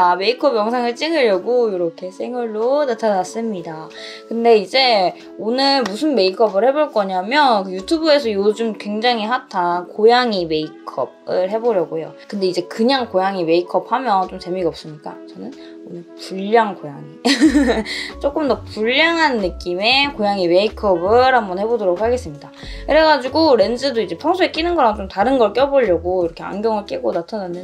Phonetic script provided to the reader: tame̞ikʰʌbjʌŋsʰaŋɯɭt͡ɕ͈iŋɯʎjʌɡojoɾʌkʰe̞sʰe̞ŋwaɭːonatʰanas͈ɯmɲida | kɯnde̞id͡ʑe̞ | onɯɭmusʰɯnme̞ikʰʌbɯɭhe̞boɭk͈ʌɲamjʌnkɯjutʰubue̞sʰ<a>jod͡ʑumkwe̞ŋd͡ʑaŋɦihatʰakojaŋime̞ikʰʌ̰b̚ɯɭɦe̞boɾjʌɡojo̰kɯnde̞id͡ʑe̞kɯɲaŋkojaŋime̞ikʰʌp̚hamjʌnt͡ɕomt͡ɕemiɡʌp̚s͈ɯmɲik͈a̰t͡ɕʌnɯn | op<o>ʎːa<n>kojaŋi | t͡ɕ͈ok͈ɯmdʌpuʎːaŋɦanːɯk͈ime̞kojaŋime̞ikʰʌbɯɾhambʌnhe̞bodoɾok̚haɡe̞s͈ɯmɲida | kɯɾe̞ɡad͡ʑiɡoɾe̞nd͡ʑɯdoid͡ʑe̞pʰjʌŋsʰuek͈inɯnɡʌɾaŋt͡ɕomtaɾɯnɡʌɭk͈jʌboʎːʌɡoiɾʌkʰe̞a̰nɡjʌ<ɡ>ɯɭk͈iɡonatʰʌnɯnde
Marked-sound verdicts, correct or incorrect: incorrect, incorrect, incorrect, incorrect

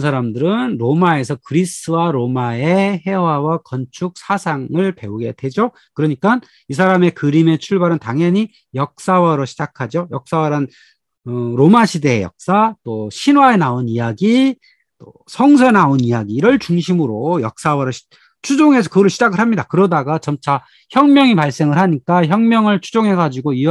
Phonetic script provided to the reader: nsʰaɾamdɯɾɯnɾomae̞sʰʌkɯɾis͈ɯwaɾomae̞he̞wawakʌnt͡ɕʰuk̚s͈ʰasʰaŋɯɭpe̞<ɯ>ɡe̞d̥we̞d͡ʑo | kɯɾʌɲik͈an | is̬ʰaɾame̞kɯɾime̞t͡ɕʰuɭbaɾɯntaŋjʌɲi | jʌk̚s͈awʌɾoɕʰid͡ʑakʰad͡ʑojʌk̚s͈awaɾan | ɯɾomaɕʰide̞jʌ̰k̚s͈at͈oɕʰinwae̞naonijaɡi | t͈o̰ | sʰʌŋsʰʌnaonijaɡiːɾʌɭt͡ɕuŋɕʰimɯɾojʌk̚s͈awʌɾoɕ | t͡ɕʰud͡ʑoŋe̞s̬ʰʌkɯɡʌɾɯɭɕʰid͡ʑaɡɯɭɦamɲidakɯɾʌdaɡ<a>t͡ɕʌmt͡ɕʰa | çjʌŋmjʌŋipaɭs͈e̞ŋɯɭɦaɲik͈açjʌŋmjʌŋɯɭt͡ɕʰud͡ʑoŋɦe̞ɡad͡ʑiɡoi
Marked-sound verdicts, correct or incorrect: incorrect, correct

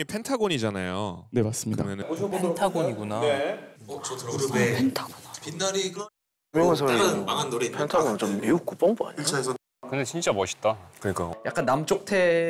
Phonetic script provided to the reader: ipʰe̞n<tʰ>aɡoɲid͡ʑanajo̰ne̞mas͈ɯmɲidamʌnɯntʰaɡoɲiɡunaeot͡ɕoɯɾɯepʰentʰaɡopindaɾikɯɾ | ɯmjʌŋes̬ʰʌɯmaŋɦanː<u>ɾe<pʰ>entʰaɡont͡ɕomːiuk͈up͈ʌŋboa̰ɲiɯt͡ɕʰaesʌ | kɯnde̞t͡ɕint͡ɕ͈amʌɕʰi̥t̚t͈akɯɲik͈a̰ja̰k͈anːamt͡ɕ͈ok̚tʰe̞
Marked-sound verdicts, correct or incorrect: correct, incorrect, correct

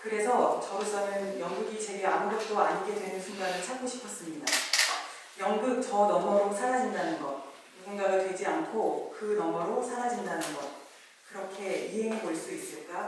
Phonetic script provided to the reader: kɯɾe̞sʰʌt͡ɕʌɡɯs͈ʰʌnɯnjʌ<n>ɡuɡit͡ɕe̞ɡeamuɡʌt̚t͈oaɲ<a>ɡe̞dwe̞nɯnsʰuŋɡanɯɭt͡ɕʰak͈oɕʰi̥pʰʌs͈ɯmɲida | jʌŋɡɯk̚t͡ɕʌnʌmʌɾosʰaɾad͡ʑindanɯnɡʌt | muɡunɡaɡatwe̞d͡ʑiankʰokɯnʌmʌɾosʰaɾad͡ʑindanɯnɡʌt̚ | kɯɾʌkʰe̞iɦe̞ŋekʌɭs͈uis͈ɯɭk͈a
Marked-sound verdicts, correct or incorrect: incorrect, incorrect

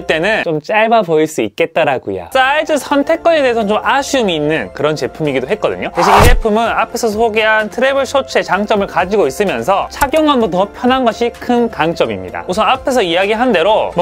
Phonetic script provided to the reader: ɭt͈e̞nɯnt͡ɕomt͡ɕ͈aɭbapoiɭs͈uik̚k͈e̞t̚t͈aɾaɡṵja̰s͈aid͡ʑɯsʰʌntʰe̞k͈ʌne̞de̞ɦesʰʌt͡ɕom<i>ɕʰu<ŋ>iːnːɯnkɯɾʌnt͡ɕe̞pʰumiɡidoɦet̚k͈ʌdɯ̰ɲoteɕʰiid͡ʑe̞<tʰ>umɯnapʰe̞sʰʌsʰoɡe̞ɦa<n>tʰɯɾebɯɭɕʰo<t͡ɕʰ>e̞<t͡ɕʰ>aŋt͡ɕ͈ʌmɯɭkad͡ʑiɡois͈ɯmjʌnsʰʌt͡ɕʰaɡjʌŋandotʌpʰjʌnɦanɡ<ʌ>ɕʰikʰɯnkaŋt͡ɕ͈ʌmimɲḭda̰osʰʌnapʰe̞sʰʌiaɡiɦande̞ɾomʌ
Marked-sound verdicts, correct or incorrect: incorrect, incorrect, incorrect, correct, correct, incorrect, correct

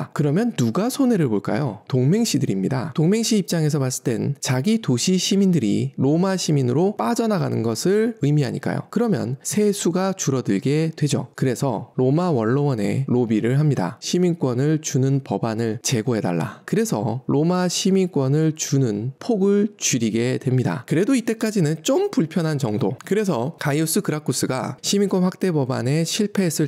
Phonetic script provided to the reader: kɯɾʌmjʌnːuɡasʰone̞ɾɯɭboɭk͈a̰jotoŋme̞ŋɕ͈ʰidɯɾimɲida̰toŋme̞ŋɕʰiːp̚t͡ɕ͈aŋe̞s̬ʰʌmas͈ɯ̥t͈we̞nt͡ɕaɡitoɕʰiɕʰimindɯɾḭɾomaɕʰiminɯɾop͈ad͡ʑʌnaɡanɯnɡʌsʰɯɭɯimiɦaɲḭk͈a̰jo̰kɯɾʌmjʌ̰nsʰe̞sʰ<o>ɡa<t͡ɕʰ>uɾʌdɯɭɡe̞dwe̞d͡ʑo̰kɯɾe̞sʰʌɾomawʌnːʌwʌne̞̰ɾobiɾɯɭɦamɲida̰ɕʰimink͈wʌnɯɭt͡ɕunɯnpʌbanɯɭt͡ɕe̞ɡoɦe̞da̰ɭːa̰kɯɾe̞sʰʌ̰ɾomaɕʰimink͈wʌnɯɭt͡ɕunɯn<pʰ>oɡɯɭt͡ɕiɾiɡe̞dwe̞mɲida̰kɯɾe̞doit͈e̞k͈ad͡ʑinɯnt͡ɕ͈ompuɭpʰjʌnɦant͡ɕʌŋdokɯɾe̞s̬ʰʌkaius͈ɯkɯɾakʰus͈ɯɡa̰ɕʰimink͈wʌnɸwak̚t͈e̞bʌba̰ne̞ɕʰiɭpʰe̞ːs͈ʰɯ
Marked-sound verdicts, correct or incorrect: incorrect, incorrect, correct

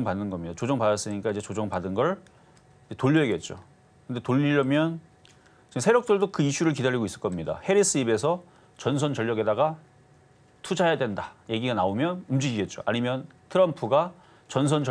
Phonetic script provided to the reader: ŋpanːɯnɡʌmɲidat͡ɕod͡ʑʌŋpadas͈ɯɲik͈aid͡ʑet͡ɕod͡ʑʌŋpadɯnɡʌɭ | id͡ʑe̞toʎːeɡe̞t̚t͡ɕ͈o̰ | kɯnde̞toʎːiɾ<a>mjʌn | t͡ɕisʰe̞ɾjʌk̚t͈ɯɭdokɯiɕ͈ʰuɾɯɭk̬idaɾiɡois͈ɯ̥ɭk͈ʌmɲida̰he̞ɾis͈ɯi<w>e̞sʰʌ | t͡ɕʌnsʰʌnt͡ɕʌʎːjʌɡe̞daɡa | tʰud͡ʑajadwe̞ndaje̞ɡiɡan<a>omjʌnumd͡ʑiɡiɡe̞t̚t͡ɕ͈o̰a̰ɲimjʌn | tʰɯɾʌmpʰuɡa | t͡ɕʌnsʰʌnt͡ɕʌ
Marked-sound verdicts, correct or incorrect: incorrect, incorrect, correct

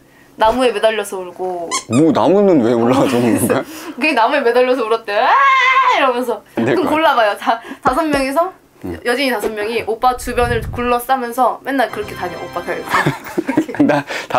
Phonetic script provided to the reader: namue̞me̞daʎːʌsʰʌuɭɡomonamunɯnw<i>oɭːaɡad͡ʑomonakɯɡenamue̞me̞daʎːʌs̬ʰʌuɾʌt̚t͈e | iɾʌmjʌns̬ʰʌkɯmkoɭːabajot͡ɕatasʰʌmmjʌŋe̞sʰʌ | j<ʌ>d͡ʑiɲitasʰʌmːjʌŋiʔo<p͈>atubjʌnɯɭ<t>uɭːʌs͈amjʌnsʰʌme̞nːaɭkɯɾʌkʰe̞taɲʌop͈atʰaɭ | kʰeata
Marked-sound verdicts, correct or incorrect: incorrect, correct, correct, incorrect

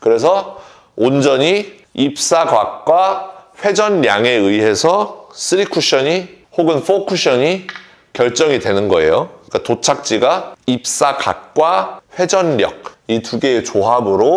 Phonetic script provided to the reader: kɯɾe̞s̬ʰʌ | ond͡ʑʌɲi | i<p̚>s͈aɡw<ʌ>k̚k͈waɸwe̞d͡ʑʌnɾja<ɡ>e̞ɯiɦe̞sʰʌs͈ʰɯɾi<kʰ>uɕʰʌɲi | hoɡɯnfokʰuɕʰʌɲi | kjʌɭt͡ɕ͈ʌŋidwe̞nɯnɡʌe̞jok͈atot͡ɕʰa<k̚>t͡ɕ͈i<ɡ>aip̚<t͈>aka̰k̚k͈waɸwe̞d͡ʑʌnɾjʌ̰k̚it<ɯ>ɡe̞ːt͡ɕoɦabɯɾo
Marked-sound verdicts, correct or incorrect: correct, incorrect, incorrect, correct, correct, correct, incorrect, incorrect

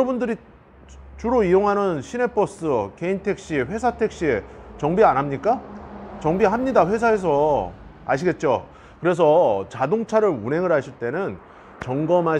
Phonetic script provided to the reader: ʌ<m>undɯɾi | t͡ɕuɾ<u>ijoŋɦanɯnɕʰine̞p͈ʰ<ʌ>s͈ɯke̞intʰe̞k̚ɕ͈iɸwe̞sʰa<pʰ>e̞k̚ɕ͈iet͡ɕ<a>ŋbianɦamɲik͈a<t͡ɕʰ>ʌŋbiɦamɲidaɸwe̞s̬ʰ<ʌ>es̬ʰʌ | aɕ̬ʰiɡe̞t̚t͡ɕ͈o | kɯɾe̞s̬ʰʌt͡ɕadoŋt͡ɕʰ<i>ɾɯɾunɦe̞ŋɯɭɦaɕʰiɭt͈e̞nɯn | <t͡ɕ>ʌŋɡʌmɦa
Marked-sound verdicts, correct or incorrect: incorrect, incorrect, correct, incorrect, incorrect, incorrect, incorrect, incorrect, correct

